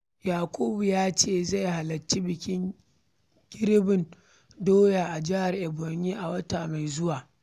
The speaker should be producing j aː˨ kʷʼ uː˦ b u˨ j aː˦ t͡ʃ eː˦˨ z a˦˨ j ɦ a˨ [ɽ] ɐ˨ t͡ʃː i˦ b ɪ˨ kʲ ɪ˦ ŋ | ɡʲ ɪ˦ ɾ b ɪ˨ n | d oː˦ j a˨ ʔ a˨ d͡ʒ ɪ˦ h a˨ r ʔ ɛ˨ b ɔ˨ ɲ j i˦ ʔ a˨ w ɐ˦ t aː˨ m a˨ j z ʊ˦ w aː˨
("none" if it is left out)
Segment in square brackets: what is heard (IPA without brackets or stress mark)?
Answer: l